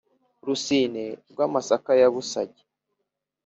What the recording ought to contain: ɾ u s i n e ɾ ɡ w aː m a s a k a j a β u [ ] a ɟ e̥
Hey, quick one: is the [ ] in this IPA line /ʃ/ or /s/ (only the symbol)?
s